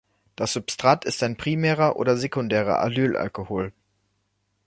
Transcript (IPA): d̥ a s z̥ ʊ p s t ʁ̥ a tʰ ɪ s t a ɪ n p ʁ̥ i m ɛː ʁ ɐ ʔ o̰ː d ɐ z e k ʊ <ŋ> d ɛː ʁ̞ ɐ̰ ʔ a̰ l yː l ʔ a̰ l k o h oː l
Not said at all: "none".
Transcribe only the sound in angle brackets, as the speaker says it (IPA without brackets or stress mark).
n